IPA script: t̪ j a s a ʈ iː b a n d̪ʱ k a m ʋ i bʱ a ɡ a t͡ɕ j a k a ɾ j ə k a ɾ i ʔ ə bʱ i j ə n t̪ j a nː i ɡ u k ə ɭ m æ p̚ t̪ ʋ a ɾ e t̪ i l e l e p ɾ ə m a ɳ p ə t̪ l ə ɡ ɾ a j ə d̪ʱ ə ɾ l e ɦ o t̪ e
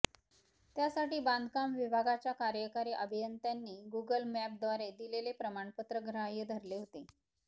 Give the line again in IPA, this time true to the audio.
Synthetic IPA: t̪ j a s a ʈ iː b a n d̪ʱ k a m ʋ i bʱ a ɡ a t͡ɕ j a k a ɾ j ə k a ɾ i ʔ ə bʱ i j ə n t̪ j a nː iː ɡ u ɡ ə l m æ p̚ d̪ ʋ a ɾ e d̪ i l e l e p ɾ ə m a ɳ p ə t̪ ɾ ə ɡ ɾ a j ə d̪ʱ ə ɾ l e ɦ o t̪ e